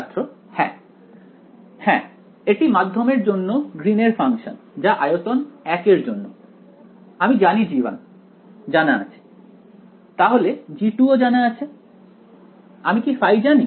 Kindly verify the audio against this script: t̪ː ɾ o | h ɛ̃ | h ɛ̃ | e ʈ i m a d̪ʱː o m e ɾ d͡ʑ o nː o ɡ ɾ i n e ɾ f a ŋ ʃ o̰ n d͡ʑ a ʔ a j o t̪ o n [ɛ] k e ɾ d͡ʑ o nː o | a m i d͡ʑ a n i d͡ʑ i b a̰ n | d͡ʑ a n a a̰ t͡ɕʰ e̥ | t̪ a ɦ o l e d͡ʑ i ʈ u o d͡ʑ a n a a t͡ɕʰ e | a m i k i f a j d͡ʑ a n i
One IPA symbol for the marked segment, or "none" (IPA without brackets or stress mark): ɛ